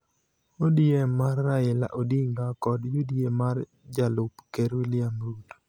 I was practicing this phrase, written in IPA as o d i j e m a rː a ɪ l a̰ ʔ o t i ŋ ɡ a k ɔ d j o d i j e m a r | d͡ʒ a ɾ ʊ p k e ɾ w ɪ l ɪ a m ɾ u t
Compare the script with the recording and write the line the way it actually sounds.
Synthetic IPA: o d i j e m a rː a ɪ l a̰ ʔ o d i ŋ ɡ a k ɔ d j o d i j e m a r | d͡ʒ a l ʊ p k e ɾ w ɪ l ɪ a m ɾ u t